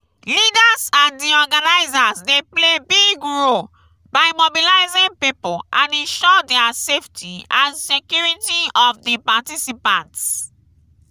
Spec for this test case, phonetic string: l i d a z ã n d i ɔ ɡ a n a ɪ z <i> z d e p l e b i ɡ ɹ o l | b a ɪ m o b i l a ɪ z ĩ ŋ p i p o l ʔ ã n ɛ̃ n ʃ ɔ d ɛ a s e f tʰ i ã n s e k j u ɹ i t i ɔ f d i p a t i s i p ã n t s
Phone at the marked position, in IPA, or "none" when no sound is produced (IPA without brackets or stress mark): a